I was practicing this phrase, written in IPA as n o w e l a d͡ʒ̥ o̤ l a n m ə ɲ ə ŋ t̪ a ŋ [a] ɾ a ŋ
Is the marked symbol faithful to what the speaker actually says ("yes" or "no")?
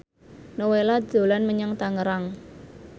no